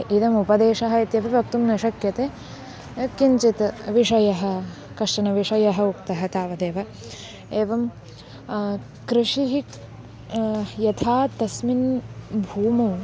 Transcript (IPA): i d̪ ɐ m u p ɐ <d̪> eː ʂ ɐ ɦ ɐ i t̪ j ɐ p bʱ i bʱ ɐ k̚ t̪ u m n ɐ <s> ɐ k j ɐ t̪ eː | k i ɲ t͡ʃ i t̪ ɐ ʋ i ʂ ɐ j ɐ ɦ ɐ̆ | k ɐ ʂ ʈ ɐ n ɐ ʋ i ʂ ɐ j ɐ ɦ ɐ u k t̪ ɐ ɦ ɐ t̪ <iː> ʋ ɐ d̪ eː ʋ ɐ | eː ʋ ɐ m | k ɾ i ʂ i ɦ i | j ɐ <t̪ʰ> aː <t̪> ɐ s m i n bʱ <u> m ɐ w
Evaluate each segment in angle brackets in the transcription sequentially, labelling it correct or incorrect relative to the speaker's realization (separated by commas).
correct, incorrect, incorrect, correct, correct, incorrect